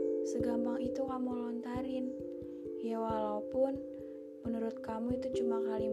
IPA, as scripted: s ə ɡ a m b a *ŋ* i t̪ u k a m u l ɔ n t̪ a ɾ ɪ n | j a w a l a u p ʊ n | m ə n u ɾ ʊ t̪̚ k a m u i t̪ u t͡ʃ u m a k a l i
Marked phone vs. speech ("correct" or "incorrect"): correct